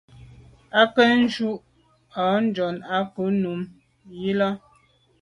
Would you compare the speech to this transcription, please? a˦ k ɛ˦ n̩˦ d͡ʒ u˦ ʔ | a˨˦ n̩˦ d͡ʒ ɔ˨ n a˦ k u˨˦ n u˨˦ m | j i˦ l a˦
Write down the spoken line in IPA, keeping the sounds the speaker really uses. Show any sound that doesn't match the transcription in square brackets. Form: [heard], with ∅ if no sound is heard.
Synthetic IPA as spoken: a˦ k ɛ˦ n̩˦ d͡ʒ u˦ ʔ | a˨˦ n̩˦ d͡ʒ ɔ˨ n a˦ k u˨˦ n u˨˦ m | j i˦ l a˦